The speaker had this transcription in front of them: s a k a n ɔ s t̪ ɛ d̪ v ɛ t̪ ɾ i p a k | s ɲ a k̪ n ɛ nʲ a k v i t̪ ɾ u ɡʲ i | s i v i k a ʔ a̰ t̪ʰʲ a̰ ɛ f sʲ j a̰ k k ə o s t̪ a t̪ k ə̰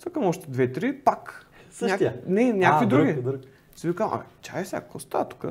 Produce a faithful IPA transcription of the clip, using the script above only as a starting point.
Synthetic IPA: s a k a m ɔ ʃ t̪ ɛ d̪ v ɛ t̪ ɾ i p a k | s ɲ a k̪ n ɛ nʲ a k v i d̪ ɾ u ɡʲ i | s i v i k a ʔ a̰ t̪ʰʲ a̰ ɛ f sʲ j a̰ k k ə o s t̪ a t̪ k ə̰